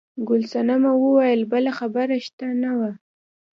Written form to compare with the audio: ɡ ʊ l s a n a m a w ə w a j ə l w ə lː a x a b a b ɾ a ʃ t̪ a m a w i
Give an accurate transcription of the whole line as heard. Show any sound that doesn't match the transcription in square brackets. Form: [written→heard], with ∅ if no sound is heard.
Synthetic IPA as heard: ɡ ʊ l s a n a m a w ə w a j ə l [w→b] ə [lː→l] a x a b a [b→∅] ɾ a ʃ t̪ a [m→n] a w [i→a]